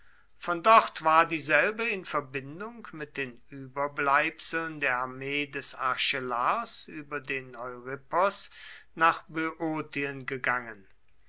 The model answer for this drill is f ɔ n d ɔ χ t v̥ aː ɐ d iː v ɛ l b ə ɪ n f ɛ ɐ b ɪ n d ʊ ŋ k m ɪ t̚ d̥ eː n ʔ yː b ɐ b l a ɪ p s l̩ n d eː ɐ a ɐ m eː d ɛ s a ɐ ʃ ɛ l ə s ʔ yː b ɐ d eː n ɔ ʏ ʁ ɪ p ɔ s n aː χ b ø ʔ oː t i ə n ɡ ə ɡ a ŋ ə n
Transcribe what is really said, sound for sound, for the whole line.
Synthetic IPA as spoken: f ɔ n d ɔ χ t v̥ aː ɐ d iː z ɛ l b ə ɪ n f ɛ ɐ b ɪ n d ʊ ŋ k m ɪ t̚ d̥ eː n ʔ yː b ɐ b l a ɪ p s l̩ n d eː ɐ a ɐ m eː d ɛ s a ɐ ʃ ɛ l a s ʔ yː b ɐ d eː n ɔ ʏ ʁ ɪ p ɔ s n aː χ b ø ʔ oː t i ə n ɡ ə ɡ a ŋ ə n